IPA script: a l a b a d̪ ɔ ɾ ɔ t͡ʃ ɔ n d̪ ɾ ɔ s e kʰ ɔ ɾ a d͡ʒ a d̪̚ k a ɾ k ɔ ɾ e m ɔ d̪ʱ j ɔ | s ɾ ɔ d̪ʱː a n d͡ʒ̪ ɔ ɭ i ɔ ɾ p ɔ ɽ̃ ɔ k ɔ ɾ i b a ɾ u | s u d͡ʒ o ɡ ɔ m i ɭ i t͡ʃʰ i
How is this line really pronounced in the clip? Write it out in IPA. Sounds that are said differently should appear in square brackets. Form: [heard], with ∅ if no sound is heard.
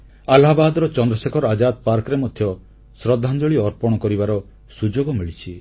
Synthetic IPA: a l a b a d̪ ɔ ɾ ɔ t͡ʃ ɔ n d̪ ɾ ɔ s e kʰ ɔ ɾ a d͡ʒ a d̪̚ [p] a ɾ k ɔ ɾ e m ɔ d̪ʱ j ɔ | s ɾ ɔ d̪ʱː a n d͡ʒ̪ ɔ ɭ i ɔ ɾ p ɔ ɽ̃ ɔ k ɔ ɾ i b a ɾ [ɔ] | s u d͡ʒ o ɡ ɔ m i ɭ i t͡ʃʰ i